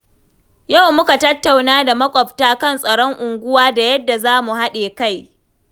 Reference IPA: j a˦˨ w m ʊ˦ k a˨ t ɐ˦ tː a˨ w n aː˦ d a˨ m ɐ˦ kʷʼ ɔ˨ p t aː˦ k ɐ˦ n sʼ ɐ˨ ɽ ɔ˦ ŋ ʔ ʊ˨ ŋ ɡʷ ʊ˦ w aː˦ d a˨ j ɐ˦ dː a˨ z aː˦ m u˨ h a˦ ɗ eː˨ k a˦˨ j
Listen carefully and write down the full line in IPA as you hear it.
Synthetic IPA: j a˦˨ w m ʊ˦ k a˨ t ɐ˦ tː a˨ w n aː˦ d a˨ m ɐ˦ kʷʼ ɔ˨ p t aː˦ k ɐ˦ n sʼ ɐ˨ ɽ ɔ˦ ŋ ʔ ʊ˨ ŋ ɡʷ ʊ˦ w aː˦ d a˨ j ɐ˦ dː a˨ z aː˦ m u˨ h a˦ ɗ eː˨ k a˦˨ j